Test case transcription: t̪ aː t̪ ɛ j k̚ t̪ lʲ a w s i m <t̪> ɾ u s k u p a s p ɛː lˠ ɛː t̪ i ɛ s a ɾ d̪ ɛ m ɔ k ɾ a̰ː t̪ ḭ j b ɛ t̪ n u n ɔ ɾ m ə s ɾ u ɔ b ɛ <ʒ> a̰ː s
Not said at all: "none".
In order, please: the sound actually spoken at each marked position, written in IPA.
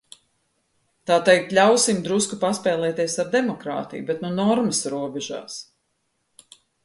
d̪, ʒ

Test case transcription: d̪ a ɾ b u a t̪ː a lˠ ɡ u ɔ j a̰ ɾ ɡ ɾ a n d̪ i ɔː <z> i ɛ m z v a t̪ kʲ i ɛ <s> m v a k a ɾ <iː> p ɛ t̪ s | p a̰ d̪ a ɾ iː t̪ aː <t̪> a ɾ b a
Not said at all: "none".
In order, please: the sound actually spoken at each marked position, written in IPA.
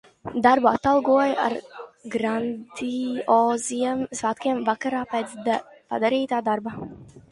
z, none, aː, d̪

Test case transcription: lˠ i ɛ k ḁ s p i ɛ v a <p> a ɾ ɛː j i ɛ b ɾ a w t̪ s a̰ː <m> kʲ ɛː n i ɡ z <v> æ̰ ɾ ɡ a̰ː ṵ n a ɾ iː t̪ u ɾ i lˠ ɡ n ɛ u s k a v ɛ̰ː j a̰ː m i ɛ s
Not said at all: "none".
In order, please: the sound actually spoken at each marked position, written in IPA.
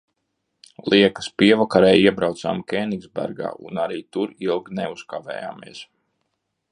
k, m, b

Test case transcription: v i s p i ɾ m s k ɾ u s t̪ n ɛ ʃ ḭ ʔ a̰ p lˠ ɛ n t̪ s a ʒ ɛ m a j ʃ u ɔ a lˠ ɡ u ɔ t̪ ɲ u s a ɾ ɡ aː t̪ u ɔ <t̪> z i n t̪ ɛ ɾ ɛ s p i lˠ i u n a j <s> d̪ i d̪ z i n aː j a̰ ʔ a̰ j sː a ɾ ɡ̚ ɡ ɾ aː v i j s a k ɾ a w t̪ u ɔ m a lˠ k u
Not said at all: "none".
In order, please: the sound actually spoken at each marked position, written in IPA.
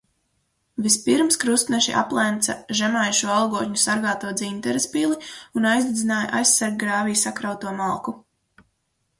d̪, z

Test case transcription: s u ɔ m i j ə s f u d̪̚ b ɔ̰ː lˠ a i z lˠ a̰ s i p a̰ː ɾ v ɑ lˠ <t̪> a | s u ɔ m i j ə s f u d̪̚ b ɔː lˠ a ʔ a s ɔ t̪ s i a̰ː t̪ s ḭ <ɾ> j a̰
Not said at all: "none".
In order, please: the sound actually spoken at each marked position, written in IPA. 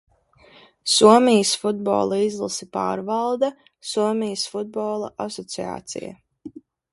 d̪, none

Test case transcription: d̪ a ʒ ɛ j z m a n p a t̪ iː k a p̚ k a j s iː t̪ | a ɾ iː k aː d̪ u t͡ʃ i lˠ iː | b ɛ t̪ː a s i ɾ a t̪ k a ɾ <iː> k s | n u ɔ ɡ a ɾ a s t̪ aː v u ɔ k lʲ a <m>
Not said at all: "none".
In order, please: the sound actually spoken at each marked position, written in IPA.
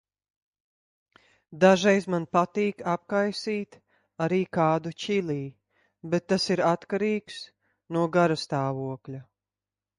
iː, none

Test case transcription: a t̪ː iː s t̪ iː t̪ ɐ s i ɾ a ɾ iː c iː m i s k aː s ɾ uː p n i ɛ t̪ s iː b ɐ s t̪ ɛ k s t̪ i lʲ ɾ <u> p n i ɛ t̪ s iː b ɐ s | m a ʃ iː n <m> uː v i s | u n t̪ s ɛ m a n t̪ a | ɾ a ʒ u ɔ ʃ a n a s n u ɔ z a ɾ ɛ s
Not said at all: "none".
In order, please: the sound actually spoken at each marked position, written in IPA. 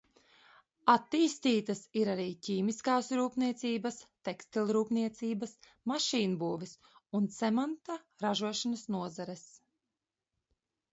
uː, b

